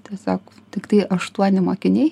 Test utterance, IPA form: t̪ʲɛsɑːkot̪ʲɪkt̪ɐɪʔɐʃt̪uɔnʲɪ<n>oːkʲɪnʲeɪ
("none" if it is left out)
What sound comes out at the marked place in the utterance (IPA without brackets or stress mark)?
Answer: m